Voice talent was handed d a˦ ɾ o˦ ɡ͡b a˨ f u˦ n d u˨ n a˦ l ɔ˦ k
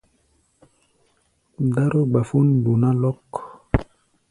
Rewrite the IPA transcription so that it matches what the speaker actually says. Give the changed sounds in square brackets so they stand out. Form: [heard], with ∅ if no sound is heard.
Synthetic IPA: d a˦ ɾ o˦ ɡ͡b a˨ f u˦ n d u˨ n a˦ l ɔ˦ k